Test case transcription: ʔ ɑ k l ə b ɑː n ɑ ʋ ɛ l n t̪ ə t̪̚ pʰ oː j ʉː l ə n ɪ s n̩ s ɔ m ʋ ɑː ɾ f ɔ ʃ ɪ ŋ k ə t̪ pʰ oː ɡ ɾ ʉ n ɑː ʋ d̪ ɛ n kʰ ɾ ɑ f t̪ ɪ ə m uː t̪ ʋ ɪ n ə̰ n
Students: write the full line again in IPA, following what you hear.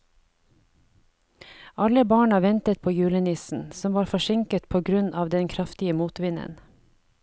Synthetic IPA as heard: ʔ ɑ l ə b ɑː ɳ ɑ ʋ ɛ n t̪ ə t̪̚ pʰ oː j ʉː l ə n ɪ s n̩ s ɔ m ʋ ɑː ɾ f ɔ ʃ ɪ ŋ k ə t̪ pʰ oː ɡ ɾ ʉ n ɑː ʋ d̪ ɛ n kʰ ɾ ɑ f t̪ ɪ ə m uː t̪ ʋ ɪ n ə̰ n

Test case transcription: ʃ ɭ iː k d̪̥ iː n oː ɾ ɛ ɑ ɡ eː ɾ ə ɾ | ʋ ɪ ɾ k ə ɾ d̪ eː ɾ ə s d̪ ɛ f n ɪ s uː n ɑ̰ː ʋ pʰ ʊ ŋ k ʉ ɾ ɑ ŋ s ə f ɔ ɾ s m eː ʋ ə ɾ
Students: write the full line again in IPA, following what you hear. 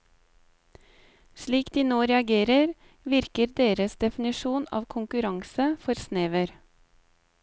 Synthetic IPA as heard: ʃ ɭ iː k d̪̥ iː n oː ɾ ɛ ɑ ɡ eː ɾ ə ɾ | ʋ ɪ ɾ k ə ɾ d̪ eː ɾ ə s d̪ ɛ f n ɪ ʃ uː n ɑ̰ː ʋ kʰ ʊ ŋ k ʉ ɾ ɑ ŋ s ə f ɔ ɾ s n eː ʋ ə ɾ

